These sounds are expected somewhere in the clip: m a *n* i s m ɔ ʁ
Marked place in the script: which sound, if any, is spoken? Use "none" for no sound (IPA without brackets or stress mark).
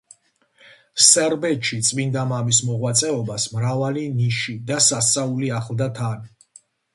m